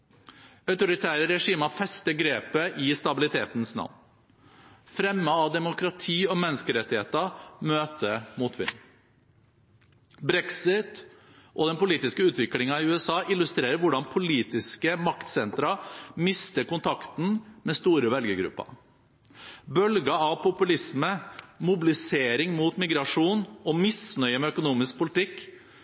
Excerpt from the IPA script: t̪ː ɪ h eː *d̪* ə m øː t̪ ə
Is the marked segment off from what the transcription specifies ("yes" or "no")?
yes